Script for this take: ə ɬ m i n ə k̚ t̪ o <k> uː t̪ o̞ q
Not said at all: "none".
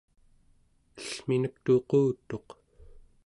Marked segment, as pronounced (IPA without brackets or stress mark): q